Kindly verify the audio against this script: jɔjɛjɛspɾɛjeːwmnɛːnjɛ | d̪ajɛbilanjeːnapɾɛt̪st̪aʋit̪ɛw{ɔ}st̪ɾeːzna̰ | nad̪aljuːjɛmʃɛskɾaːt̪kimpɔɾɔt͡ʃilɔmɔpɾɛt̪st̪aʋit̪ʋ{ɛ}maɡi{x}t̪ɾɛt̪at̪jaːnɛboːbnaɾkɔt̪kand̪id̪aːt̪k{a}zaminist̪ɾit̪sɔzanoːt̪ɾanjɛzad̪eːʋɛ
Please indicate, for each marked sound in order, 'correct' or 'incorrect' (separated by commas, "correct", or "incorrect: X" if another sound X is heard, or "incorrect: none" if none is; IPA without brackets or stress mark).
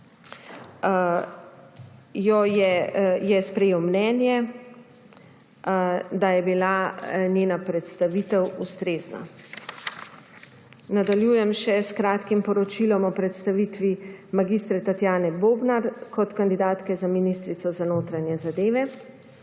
incorrect: u, incorrect: i, incorrect: s, incorrect: ɛ